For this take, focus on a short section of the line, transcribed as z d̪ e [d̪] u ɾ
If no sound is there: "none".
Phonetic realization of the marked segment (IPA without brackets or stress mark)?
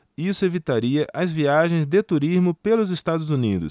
t̪